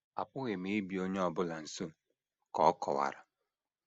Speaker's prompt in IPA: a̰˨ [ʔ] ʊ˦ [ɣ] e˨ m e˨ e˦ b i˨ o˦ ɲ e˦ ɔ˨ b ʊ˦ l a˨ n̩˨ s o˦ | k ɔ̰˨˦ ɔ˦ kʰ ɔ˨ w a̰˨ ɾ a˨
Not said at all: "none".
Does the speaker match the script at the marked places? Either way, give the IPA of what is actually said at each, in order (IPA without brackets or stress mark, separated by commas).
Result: p, ɣ